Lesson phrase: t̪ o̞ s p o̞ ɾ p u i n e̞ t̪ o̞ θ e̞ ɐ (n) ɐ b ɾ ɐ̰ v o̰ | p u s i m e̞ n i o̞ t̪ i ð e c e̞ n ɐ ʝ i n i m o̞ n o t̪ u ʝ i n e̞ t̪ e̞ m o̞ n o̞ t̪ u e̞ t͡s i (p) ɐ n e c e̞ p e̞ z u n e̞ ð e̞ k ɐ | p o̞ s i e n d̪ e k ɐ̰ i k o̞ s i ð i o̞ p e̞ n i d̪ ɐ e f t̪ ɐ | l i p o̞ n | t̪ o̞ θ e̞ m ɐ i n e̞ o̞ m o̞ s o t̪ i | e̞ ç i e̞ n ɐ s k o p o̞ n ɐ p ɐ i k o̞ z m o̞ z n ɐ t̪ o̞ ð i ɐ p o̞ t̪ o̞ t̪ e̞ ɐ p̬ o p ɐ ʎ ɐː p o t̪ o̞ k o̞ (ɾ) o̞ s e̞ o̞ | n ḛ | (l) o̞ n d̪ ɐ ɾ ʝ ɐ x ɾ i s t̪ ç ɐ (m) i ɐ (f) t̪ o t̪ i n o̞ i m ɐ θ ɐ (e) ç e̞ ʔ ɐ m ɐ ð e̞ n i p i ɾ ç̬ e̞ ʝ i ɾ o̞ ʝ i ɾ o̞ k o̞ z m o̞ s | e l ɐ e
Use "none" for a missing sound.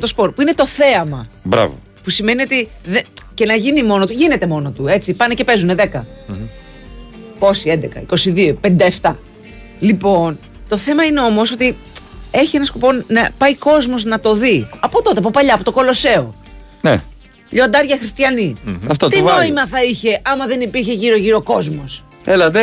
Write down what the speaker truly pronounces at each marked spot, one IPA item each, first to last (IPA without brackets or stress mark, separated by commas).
m, p, l, ʎ, n, f, i